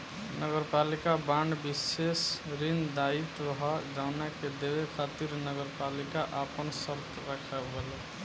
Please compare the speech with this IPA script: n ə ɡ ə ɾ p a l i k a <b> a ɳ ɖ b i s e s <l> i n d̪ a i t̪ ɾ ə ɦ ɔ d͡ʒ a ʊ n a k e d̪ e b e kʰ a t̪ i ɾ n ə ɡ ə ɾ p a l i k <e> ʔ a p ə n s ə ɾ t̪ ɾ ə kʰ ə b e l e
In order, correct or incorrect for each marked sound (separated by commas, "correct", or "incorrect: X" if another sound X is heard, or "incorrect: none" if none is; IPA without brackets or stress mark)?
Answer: correct, incorrect: ɾ, incorrect: a